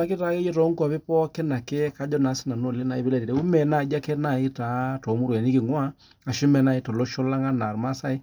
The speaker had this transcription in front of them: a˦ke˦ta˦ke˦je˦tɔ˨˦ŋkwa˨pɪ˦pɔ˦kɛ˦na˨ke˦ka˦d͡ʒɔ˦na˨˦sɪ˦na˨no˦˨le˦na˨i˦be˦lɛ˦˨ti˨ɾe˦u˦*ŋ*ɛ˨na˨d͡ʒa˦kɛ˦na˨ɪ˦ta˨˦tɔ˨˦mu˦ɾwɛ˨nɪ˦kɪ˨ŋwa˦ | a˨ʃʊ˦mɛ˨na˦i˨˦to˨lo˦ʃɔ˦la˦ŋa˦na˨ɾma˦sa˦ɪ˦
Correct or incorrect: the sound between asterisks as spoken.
incorrect: m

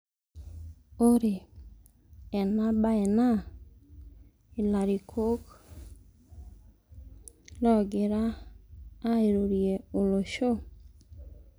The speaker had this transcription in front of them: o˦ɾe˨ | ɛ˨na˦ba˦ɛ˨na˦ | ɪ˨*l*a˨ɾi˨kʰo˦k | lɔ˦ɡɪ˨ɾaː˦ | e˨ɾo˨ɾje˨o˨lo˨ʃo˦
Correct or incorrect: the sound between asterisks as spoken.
correct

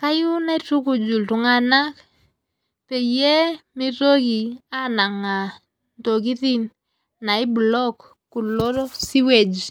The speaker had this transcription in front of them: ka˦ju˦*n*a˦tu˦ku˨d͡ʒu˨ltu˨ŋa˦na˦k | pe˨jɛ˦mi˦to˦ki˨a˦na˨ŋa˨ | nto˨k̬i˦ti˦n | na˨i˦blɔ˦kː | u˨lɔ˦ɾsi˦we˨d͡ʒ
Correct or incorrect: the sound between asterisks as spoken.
correct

